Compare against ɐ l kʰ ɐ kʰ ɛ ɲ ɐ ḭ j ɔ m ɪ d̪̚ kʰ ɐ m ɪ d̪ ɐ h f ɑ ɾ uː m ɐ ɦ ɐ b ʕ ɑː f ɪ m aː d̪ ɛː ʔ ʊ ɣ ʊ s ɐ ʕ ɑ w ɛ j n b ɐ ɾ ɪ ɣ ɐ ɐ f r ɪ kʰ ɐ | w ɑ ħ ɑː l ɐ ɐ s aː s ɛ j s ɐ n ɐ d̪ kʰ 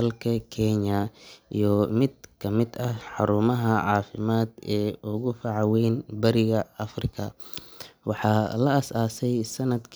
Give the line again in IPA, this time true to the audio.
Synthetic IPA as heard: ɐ l kʰ ɐ kʰ ɛ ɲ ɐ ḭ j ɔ m ɪ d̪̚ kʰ ɐ m ɪ d̪ ɐ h ħ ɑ ɾ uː m ɐ ɦ ɐ ʕ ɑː f ɪ m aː d̪ ɛː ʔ ʊ ɣ ʊ f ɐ ʕ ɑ w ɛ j n b ɐ ɾ ɪ ɣ ɐ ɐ f r ɪ kʰ ɐ | w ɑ ħ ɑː l ɐ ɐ s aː s ɛ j s ɐ n ɐ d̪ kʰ